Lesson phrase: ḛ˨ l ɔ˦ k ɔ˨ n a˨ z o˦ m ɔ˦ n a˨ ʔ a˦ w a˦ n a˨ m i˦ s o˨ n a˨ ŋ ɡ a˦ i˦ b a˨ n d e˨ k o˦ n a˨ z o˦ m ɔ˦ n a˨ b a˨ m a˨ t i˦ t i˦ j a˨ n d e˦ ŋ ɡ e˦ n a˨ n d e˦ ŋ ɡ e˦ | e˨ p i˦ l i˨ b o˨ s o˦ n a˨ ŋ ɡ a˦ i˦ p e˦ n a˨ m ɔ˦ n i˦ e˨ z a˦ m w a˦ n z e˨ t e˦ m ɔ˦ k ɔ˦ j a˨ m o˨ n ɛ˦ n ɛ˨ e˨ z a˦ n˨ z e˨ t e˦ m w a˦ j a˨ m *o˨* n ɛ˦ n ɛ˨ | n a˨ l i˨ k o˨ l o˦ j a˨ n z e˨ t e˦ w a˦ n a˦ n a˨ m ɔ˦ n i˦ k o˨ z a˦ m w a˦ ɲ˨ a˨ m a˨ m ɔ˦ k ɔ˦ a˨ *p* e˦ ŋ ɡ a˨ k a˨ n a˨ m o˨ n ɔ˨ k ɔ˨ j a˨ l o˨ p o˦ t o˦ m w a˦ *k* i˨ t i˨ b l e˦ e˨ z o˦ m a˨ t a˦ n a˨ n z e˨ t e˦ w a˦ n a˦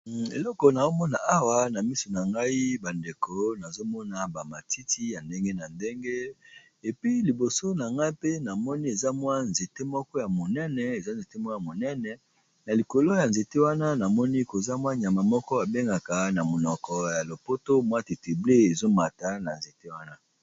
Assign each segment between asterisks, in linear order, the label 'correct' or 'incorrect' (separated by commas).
correct, incorrect, incorrect